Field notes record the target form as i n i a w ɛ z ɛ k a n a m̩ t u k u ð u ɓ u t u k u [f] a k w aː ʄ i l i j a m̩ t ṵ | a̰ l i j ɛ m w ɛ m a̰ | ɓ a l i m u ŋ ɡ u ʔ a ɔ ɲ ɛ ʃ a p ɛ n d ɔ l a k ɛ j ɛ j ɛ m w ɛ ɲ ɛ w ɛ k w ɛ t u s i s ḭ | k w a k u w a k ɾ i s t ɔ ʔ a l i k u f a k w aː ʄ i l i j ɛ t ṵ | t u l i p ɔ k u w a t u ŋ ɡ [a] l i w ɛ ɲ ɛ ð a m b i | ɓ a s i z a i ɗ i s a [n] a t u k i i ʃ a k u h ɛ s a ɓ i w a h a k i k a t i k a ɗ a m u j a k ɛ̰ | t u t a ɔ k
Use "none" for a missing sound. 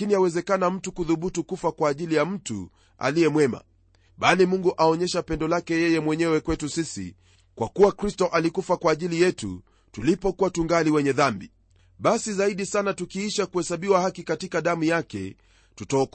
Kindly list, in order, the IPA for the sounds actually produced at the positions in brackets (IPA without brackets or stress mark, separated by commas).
f, a, n